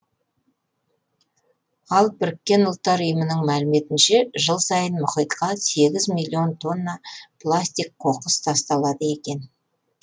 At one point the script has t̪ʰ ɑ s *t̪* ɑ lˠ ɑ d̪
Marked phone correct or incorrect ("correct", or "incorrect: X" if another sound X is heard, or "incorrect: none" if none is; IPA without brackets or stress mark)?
correct